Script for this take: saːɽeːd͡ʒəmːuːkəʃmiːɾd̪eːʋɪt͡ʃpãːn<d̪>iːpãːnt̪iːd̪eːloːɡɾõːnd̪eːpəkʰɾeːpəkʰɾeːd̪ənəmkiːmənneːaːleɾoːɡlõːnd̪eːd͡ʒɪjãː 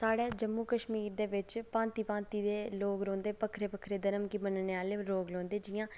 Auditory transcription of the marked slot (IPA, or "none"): t̪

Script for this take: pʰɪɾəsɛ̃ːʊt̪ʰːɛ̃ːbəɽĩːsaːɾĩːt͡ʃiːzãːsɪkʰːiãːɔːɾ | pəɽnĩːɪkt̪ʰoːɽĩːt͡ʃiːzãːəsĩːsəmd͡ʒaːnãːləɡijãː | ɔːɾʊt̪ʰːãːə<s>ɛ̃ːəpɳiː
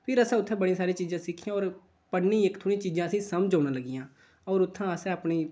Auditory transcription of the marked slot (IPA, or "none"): s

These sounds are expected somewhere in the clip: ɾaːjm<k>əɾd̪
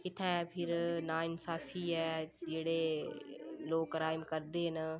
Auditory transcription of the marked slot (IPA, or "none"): k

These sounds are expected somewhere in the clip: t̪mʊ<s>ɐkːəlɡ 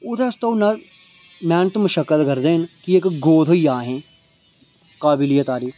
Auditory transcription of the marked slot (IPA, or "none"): ʃ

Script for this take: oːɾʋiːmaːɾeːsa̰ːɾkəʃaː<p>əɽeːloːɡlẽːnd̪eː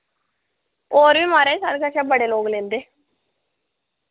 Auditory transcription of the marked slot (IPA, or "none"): b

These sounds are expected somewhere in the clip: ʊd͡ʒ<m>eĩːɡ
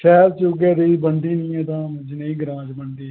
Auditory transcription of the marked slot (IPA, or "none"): n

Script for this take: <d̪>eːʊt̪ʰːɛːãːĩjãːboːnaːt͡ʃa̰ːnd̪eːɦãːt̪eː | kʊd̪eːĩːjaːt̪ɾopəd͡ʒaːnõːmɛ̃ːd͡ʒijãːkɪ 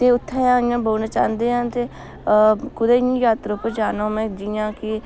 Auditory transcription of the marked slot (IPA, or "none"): t̪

